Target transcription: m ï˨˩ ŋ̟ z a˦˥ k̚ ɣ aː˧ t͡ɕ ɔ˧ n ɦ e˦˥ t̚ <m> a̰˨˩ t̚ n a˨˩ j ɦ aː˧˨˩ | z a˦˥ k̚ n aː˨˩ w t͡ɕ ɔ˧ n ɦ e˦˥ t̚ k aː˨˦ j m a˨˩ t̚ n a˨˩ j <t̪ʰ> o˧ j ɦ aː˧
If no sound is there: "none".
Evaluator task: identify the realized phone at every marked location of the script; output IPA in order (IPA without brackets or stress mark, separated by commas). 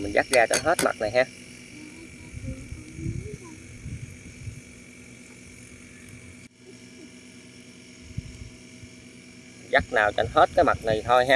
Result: m, t̪ʰ